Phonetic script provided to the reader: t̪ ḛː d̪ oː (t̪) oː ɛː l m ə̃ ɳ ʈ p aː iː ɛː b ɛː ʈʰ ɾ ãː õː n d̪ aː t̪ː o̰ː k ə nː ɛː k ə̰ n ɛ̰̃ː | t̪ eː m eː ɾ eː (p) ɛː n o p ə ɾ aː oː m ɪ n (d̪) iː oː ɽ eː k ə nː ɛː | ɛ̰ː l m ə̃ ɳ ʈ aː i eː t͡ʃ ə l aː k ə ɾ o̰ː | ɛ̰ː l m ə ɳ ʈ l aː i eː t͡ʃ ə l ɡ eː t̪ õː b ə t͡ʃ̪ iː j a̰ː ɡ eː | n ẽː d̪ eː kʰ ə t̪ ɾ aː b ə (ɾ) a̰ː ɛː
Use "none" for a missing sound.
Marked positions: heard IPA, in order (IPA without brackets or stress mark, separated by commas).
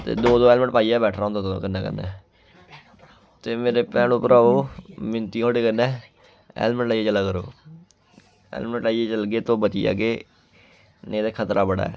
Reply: d̪, p, t̪, ɽ